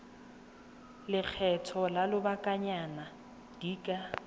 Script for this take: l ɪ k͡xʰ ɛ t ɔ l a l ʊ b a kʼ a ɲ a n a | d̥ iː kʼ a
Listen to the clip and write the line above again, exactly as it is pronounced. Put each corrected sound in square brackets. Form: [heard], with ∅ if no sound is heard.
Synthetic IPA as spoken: l ɪ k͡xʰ ɛ [tʰ] ɔ l a l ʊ b a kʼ a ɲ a n a | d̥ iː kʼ a